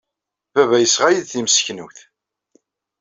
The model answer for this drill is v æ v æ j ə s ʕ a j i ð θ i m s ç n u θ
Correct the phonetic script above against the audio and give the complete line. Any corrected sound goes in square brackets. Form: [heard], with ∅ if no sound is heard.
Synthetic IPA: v æ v æ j ə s [ʁ] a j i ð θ i m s ç n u θ